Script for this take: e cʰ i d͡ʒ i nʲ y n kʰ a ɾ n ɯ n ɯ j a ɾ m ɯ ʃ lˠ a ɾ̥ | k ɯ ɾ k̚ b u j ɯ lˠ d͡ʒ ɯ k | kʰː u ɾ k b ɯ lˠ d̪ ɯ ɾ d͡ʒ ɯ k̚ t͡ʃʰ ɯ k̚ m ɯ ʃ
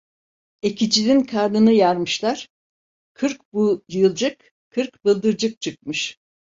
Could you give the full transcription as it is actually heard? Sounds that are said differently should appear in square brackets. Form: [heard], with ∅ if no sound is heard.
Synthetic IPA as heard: e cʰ i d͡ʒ i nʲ [i] n kʰ a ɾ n ɯ n ɯ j a ɾ m ɯ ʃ lˠ a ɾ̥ | [kʰ] ɯ ɾ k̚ b u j ɯ lˠ d͡ʒ ɯ k | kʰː [ɯ] ɾ k b ɯ lˠ d̪ ɯ ɾ d͡ʒ ɯ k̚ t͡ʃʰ ɯ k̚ m ɯ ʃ